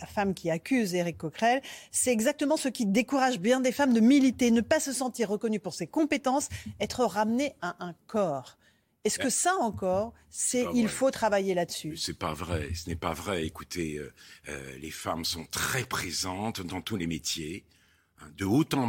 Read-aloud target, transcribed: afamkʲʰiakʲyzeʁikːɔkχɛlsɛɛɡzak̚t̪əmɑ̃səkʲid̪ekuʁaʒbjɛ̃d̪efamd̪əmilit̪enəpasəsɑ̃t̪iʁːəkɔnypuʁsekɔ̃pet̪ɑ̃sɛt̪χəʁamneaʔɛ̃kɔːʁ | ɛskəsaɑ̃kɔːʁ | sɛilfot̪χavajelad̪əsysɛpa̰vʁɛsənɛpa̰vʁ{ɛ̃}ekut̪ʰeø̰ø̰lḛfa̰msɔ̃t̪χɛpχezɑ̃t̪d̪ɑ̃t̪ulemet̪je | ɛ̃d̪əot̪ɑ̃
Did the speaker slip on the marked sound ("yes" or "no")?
yes